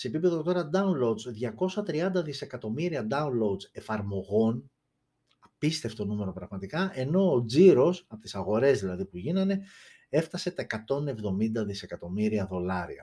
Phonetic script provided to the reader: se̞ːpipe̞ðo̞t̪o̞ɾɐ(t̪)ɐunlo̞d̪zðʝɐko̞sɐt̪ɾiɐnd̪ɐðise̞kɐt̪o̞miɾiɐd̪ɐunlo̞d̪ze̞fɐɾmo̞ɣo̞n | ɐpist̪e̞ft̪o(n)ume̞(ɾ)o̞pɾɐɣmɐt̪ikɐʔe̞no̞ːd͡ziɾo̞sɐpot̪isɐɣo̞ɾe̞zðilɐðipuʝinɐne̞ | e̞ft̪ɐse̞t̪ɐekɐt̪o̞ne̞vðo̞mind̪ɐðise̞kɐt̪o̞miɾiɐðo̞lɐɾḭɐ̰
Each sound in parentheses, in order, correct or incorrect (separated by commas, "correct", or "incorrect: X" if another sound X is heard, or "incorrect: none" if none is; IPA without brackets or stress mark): incorrect: d̪, correct, correct